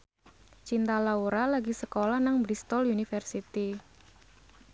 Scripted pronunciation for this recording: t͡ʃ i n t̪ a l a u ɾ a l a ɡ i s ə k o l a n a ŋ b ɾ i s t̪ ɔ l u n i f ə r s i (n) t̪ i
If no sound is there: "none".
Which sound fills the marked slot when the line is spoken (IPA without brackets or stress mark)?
none